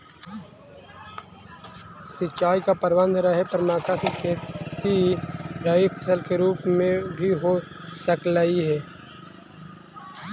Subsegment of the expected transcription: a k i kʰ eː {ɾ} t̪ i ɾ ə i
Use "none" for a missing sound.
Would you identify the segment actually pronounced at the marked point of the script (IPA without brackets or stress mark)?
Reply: none